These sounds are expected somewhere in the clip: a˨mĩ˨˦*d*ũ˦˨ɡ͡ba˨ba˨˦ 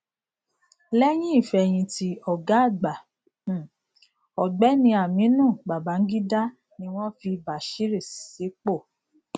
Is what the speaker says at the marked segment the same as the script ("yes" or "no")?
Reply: no